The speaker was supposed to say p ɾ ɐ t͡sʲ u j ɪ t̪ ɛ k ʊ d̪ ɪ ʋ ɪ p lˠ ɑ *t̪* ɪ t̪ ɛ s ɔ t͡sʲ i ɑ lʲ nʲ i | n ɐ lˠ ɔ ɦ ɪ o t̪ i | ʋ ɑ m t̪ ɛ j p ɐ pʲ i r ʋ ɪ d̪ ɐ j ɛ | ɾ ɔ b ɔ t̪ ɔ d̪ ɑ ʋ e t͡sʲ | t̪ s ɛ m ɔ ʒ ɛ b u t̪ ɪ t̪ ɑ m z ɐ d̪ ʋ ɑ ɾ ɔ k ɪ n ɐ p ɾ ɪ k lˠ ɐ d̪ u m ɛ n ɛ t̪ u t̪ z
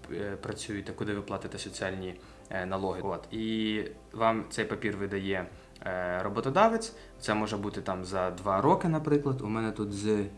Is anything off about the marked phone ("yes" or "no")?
no